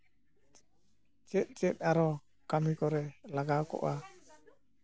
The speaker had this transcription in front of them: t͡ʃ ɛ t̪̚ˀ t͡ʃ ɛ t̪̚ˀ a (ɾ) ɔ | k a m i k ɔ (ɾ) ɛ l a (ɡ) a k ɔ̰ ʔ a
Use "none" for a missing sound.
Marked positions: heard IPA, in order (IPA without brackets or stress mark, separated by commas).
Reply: ɾ, ɾ, ɡ